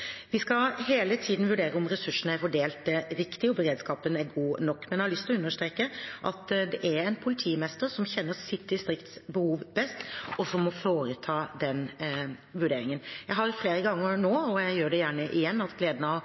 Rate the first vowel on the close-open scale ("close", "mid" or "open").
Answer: close